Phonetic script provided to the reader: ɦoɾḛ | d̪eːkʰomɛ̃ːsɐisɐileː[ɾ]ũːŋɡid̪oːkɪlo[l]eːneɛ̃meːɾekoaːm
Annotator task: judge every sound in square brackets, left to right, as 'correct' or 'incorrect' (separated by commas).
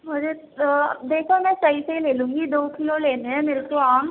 incorrect, correct